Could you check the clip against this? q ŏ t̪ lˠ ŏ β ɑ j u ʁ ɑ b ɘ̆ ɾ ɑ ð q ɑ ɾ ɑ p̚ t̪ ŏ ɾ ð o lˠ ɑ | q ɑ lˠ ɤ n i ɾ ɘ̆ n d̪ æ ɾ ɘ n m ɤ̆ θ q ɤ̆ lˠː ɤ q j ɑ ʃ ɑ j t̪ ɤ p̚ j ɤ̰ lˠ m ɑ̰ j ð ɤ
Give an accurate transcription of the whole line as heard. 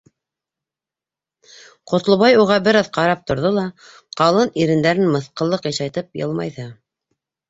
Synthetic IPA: q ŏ t̪ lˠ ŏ β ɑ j u ʁ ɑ b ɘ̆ ɾ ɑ ð q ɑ ɾ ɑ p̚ t̪ ŏ ɾ ð o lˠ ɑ | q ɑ lˠ ɤ n i ɾ ɘ̆ n d̪ æ ɾ ɘ n m ɤ̆ θ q ɤ̆ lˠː ɤ q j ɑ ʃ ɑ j t̪ ɤ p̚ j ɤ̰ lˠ m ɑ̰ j ð ɤ